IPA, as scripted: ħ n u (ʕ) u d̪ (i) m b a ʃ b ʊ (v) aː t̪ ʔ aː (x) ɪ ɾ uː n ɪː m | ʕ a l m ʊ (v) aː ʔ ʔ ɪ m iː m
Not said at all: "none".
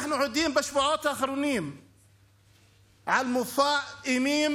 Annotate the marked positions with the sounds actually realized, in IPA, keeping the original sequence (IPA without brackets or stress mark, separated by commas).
ʕ, iː, ʕ, x, f